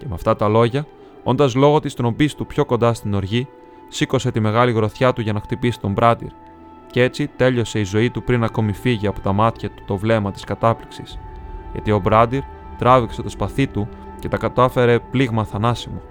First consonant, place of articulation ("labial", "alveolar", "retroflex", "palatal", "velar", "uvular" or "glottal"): palatal